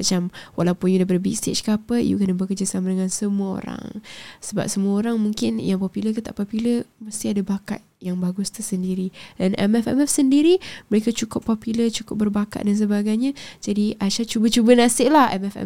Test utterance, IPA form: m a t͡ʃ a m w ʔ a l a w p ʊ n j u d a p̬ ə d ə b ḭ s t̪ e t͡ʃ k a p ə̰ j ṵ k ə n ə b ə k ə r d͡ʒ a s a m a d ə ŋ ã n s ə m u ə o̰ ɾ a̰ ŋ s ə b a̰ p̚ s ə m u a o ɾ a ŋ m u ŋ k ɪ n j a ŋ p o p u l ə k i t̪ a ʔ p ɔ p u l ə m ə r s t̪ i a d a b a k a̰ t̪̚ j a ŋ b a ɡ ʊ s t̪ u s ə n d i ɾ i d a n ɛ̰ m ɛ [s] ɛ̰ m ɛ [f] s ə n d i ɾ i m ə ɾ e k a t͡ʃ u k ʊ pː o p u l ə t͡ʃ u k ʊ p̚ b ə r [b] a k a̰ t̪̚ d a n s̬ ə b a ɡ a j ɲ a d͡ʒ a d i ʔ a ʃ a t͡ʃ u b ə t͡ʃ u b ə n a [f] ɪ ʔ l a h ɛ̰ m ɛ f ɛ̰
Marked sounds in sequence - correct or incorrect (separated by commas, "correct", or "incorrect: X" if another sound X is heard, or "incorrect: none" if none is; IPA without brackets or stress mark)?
incorrect: f, correct, correct, incorrect: s